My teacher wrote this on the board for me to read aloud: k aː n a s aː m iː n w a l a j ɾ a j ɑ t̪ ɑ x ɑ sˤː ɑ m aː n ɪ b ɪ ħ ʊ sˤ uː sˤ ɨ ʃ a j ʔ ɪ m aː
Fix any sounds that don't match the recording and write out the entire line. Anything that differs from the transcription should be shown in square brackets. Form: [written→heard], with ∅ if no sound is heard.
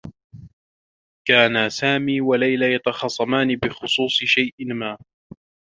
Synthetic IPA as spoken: k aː n a s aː m iː [n→∅] w a l a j [ɾ→l] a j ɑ t̪ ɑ x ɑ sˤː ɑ m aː n ɪ b ɪ [ħ→x] ʊ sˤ uː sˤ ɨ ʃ a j ʔ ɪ m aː